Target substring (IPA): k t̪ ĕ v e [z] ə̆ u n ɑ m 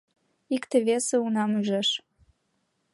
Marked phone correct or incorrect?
incorrect